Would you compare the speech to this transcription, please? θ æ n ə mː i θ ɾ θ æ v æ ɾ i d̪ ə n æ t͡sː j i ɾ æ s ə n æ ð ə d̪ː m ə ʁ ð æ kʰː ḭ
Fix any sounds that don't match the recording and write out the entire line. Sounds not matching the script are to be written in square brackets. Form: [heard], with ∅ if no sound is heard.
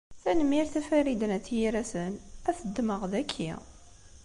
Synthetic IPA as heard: θ æ n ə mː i [∅] ɾ θ æ [f] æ ɾ i d̪ ə n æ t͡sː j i ɾ æ s ə n æ [θ] ə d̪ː m ə ʁ ð æ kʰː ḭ